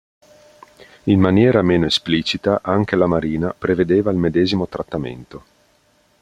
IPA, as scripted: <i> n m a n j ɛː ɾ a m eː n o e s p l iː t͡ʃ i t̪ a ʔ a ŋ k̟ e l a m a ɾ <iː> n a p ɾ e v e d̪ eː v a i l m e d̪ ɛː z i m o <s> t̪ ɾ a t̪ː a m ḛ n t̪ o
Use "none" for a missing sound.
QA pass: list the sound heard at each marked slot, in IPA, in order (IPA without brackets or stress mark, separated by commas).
i, iː, none